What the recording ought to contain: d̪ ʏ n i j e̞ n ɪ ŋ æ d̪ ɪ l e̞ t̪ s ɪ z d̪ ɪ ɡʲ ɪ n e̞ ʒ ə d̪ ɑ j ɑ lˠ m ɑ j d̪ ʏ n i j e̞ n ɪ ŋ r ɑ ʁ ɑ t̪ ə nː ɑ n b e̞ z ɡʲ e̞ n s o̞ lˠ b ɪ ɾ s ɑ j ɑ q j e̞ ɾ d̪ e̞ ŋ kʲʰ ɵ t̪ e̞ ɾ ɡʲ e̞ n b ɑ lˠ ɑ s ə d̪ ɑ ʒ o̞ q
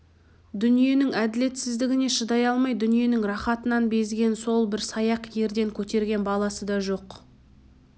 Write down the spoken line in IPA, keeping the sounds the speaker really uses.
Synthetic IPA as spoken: d̪ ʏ n i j e̞ n ɪ ŋ æ d̪ ɪ l e̞ t̪ s ɪ z d̪ ɪ ɡʲ ɪ n e̞ ʃ ə d̪ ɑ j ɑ lˠ m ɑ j d̪ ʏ n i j e̞ n ɪ ŋ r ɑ χ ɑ t̪ ə n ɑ n b e̞ z ɡʲ e̞ n s o̞ lˠ b ɪ ɾ s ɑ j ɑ q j e̞ ɾ d̪ e̞ ŋ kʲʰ ɵ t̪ e̞ ɾ ɡʲ e̞ n b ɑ lˠ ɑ s ə d̪ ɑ ʒ o̞ q

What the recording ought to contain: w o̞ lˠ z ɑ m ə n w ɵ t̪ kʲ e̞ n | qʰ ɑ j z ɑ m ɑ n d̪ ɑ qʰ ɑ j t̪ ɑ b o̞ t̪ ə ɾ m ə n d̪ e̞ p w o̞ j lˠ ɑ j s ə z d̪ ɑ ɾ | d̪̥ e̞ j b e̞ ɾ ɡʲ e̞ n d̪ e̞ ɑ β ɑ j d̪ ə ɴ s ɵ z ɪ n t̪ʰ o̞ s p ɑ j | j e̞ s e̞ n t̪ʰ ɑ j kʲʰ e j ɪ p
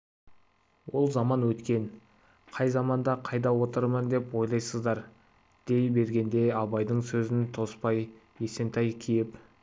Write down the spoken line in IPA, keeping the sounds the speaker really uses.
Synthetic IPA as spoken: w o̞ lˠ z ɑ m ɑ n w ɵ t̪ kʲ e̞ n | qʰ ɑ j z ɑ m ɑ n d̪ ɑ qʰ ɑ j d̪ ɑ w o̞ t̪ ə ɾ m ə n d̪ e̞ p w o̞ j lˠ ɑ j s ə z d̪ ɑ ɾ | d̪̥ e̞ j b e̞ ɾ ɡʲ e̞ n d̪ e̞ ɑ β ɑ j d̪ ə ɴ s ɵ z ɪ n t̪ʰ o̞ s p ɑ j | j e̞ s e̞ n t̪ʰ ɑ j kʲʰ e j ɪ p

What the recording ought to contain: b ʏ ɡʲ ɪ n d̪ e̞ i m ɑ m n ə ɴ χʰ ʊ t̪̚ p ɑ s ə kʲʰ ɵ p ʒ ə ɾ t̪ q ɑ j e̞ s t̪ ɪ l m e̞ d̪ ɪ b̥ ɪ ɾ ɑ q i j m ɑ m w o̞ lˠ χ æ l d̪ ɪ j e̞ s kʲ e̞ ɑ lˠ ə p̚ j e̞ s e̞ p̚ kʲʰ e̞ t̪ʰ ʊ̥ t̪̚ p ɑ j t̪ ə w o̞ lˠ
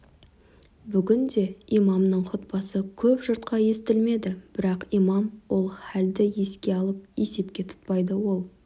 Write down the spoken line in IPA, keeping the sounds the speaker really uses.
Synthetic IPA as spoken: b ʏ ɡʲ ɪ n d̪ e̞ i m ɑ m n ə ɴ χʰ ʊ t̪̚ p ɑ s ə kʲʰ ɵ p ʒ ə ɾ t̪ q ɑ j e̞ s t̪ ɪ l m e̞ d̪ ɪ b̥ ɪ ɾ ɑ q i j m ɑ m w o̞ lˠ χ æ l d̪ ɪ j e̞ s kʲ e̞ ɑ lˠ ə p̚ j e̞ s e̞ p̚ kʲ e̞ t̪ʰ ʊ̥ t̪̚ p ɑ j d̪ ə w o̞ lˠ

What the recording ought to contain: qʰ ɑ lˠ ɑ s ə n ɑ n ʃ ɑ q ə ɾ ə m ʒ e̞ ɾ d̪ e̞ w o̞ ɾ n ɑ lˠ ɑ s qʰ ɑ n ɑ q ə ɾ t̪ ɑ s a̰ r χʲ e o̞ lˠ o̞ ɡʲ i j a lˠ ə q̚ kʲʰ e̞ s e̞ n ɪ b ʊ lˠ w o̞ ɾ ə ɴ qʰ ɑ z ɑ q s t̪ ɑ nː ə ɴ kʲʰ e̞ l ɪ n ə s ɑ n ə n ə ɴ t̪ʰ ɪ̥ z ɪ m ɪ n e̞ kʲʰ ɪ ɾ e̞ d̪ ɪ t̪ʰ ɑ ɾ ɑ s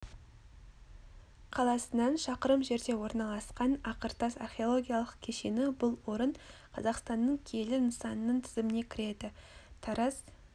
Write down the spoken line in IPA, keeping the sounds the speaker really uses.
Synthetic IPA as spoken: qʰ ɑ lˠ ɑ s ə n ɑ n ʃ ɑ q ə ɾ ə m ʒ e̞ ɾ d̪ e̞ w o̞ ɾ n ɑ lˠ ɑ s q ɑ n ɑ q ə ɾ t̪ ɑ s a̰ r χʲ e o̞ lˠ o̞ ɡʲ i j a lˠ ə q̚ kʲʰ e̞ ʃ e̞ n ɪ b ʊ lˠ w o̞ ɾ ə ɴ qʰ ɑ z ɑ q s t̪ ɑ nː ə ɴ kʲʰ e̞ l ɪ n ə s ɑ n ə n ə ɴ t̪ʰ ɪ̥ z ɪ m ɪ n e̞ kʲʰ ɪ ɾ e̞ d̪ ɪ t̪ʰ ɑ ɾ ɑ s

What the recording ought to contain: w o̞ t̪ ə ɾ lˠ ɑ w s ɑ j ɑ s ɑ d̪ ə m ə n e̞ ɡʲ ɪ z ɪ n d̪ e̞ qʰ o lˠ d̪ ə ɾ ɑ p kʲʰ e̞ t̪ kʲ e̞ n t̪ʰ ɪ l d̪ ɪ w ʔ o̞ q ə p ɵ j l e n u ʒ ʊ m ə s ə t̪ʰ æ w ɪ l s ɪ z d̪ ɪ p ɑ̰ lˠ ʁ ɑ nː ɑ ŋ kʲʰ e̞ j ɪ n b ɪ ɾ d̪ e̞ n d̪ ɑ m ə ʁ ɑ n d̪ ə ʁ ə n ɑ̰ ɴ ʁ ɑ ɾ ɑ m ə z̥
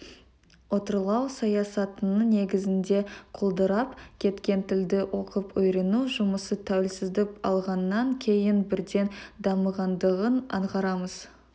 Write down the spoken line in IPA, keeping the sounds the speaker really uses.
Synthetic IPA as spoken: w o̞ t̪ ə ɾ lˠ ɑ w s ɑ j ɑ s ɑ t̪ ə n ə n e̞ ɡʲ ɪ z ɪ n d̪ e̞ qʰ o lˠ d̪ ə ɾ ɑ p kʲʰ e̞ t̪ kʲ e̞ n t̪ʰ ɪ l d̪ ɪ w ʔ o̞ q ə p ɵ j ɾ e n u ʒ ʊ m ə s ə t̪ʰ æ w ɪ l s ɪ z d̪ ɪ p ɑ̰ lˠ ʁ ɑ nː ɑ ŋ kʲʰ e̞ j ɪ n b ɪ ɾ d̪ e̞ n d̪ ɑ m ə ʁ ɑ n d̪ ə ʁ ə n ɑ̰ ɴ ʁ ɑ ɾ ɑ m ə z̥

